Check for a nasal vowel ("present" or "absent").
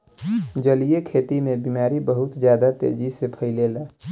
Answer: absent